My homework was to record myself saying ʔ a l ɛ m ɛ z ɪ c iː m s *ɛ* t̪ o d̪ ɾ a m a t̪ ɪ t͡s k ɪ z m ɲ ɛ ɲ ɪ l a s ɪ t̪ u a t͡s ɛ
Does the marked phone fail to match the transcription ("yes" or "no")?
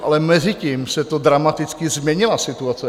no